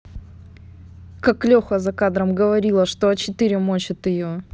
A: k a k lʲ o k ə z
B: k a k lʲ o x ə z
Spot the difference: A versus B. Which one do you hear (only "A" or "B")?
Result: B